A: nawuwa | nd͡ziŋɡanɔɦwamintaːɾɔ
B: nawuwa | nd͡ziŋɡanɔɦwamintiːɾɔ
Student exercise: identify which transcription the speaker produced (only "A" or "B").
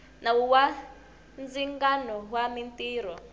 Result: B